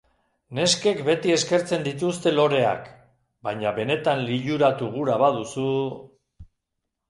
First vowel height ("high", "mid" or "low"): mid